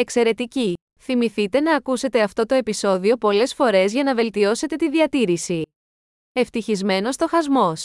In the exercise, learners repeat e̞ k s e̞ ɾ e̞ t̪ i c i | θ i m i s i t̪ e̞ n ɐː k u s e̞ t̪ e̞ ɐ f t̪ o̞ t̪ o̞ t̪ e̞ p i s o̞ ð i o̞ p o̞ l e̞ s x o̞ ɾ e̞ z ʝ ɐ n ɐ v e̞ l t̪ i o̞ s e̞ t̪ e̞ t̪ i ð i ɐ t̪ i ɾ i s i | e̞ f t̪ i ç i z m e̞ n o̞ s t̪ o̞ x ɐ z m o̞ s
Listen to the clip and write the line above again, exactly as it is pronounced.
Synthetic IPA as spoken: e̞ k s e̞ ɾ e̞ t̪ i c i | θ i m i θ i t̪ e̞ n ɐː k u s e̞ t̪ e̞ ɐ f t̪ o̞ t̪ o̞ e̞ p i s o̞ ð i o̞ p o̞ l e̞ s f o̞ ɾ e̞ z ʝ ɐ n ɐ v e̞ l t̪ i o̞ s e̞ t̪ e̞ t̪ i ð i ɐ t̪ i ɾ i s i | e̞ f t̪ i ç i z m e̞ n o̞ s t̪ o̞ x ɐ z m o̞ s